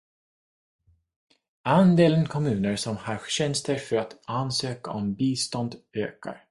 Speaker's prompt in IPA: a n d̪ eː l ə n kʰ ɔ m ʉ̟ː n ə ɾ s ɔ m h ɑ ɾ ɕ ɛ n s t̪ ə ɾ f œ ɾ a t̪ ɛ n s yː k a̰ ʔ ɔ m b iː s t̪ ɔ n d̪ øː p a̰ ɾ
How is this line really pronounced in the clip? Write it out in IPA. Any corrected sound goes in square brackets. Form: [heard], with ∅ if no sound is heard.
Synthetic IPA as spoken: a n d̪ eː l ə n kʰ ɔ m ʉ̟ː n ə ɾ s ɔ m h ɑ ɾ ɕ ɛ n s t̪ ə ɾ f œ ɾ a t̪ [a] n s [øː] k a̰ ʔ ɔ m b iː s t̪ ɔ n d̪ øː [k] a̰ ɾ